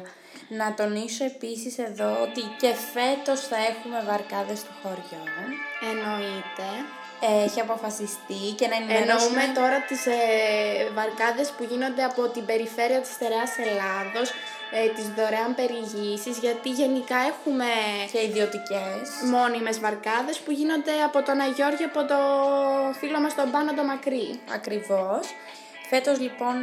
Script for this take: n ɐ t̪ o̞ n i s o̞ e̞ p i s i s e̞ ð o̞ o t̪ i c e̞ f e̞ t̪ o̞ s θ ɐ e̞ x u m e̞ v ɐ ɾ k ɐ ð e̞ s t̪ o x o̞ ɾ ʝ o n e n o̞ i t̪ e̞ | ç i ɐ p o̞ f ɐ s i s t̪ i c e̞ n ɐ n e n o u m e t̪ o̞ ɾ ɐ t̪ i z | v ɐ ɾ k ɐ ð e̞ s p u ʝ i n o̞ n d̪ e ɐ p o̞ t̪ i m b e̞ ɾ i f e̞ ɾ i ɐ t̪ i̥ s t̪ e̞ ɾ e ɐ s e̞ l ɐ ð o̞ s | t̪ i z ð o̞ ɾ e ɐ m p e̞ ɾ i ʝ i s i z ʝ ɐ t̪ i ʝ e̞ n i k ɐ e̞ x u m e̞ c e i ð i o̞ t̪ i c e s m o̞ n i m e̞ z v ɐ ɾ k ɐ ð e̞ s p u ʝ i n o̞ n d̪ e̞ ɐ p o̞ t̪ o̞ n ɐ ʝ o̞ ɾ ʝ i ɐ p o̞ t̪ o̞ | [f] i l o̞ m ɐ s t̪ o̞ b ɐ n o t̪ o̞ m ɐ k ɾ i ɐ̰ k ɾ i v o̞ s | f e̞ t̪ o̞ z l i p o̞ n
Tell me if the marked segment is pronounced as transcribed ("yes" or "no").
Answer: yes